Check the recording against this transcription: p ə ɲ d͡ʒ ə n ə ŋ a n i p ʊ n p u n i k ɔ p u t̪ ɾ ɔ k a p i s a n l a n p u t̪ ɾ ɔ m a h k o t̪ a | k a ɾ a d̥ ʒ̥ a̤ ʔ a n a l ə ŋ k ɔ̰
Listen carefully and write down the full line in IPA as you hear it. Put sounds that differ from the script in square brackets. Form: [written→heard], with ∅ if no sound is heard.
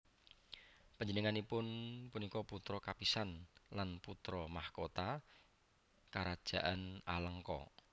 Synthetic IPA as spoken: p ə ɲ d͡ʒ ə n ə ŋ a n i p ʊ n p u n i k ɔ p u t̪ ɾ ɔ k a p i s a n l a n p u t̪ ɾ ɔ m a h k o t̪ a | k a ɾ a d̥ ʒ̥ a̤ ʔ a n a l ə ŋ k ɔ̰